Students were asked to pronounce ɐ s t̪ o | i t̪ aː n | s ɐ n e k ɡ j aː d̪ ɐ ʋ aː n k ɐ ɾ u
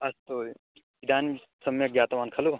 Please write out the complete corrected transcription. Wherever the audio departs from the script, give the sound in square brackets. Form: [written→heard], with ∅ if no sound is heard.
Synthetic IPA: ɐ s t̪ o | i [t̪→d̪] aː n | s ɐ [n→m] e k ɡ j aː [d̪→t̪] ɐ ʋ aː n [k→kʰ] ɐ [ɾ→l] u